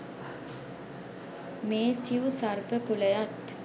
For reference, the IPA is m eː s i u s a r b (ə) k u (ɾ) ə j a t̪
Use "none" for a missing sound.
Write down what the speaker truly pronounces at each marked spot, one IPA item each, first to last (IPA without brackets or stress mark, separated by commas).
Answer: ə, l